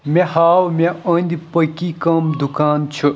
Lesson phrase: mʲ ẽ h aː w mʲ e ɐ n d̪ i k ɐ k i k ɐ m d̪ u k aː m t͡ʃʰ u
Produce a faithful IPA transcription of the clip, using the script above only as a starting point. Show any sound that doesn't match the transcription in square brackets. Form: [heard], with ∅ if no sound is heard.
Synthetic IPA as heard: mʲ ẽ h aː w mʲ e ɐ n d̪ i [p] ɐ k i k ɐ m d̪ u k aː [n] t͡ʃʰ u